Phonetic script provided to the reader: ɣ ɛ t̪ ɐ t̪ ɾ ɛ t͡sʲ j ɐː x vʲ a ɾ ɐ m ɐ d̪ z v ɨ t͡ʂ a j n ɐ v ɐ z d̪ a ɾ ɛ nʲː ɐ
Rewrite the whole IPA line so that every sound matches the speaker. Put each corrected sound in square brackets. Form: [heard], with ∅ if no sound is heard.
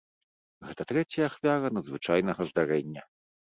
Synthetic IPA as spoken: ɣ ɛ t̪ ɐ t̪ ɾ ɛ t͡sʲ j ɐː x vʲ a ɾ ɐ [n] ɐ d̪ z v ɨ t͡ʂ a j n ɐ [ɣ] ɐ z d̪ a ɾ ɛ nʲː ɐ